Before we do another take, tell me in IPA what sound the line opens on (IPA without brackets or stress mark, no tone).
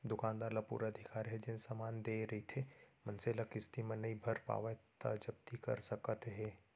d̪